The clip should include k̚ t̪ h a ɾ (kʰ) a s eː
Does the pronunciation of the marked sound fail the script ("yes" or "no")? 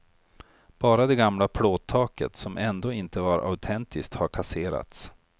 no